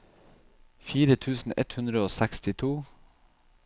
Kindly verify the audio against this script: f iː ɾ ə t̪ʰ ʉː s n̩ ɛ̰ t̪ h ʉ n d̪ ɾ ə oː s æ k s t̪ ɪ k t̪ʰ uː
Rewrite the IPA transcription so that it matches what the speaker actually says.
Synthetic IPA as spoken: f iː ɾ ə t̪ʰ ʉː s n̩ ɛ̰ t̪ h ʉ n d̪ ɾ ə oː s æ k s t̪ ɪ t̪ʰ uː